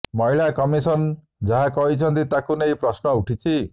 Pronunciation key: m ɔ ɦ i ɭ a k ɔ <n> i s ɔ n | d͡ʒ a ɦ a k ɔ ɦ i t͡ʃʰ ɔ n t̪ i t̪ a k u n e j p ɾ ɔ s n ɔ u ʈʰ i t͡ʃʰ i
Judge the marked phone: incorrect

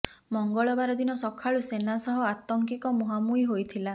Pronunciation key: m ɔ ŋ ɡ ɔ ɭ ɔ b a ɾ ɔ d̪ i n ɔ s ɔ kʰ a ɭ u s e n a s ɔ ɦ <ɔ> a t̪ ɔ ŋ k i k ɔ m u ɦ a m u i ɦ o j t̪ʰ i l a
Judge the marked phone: correct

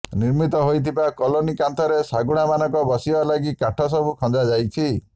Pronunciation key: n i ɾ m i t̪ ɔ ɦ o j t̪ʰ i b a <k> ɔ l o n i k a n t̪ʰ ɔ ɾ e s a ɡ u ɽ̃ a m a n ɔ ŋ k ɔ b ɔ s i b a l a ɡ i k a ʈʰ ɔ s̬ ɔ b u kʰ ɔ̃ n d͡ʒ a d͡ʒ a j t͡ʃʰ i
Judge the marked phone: correct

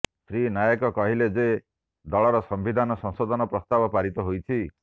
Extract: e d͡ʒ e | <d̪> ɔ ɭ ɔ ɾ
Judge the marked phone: correct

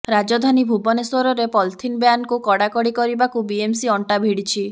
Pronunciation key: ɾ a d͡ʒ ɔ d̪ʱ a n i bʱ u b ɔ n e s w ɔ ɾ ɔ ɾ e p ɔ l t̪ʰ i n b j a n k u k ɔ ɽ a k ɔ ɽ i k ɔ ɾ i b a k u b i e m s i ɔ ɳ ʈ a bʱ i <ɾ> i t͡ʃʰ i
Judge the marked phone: incorrect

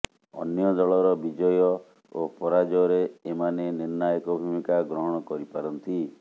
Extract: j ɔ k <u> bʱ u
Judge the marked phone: incorrect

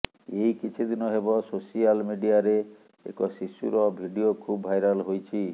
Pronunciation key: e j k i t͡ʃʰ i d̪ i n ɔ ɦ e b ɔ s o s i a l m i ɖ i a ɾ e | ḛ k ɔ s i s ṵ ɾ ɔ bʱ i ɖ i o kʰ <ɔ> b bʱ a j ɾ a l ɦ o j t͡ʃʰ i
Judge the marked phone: incorrect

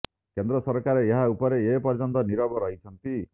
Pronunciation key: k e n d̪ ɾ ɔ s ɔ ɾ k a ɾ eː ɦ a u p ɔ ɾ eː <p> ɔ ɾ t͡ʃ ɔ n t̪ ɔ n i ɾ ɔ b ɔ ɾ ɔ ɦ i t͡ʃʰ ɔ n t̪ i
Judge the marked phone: correct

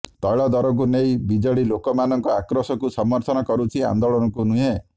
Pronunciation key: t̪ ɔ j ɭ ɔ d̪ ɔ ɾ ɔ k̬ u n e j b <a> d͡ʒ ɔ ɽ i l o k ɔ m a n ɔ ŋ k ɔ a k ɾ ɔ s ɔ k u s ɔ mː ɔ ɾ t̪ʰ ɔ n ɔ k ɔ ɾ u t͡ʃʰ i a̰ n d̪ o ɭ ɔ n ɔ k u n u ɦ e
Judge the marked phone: incorrect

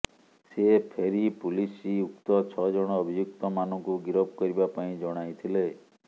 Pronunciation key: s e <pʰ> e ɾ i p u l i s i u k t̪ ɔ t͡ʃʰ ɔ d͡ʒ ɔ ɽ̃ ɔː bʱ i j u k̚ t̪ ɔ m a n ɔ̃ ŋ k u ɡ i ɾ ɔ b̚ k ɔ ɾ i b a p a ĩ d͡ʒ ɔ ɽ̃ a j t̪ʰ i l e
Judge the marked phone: correct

